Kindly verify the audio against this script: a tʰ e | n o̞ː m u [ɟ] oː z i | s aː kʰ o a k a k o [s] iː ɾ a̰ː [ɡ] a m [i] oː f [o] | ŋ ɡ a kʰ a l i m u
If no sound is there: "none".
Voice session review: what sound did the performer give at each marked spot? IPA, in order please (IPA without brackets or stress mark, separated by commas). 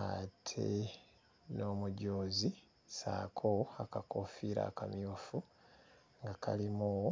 ɟ, f, k, j, u